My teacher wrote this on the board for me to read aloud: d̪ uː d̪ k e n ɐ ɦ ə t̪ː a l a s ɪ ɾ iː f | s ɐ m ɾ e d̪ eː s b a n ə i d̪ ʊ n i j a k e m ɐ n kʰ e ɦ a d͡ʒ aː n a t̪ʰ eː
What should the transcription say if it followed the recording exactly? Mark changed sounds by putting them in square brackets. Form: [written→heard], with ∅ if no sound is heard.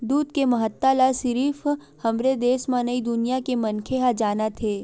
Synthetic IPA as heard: d̪ uː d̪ k e [n→m] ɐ ɦ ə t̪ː a l a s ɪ ɾ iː f | [s→h] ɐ m ɾ e d̪ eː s [b→m] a n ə i d̪ ʊ n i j a k e m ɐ n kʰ e ɦ a d͡ʒ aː n a t̪ʰ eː